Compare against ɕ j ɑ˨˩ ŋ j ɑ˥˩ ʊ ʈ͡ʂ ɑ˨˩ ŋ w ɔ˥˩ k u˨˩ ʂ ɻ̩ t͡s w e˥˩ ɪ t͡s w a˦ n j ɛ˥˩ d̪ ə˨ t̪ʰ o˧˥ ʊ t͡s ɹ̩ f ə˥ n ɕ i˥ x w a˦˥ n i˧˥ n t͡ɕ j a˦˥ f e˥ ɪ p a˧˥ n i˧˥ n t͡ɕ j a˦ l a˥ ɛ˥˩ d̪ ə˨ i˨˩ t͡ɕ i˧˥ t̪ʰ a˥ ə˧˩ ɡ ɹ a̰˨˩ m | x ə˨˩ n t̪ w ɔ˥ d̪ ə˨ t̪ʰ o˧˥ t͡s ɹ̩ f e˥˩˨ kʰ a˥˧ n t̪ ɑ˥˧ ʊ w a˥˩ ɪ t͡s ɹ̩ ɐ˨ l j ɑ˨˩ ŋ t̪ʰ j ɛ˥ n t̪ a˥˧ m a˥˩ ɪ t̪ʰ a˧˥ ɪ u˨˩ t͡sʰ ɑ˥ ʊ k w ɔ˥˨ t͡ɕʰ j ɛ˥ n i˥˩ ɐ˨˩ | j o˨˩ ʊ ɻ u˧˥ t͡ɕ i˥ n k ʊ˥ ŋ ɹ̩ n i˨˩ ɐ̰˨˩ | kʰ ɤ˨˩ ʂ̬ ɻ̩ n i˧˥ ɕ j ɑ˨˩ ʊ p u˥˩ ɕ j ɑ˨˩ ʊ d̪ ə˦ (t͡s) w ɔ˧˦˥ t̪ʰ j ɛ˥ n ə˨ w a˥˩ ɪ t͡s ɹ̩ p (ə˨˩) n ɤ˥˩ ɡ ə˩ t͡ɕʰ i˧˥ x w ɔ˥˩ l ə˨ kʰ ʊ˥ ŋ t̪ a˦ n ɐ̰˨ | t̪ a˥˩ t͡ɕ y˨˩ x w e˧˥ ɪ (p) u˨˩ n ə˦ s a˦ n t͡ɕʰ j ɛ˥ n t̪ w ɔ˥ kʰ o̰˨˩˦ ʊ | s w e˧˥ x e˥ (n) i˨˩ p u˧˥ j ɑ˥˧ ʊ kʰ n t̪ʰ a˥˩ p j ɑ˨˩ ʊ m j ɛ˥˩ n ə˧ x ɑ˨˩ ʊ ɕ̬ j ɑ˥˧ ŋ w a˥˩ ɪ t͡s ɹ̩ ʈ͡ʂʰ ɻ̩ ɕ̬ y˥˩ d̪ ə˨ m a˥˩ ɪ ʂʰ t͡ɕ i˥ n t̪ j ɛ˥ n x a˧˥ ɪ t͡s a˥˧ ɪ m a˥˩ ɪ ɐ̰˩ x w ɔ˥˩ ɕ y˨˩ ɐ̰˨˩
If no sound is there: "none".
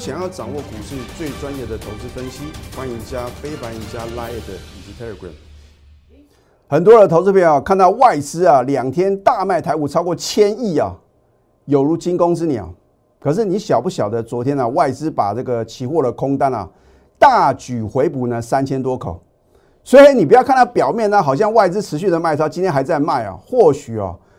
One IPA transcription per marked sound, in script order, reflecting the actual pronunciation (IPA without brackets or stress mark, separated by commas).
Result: t͡s, a˨˩, p, n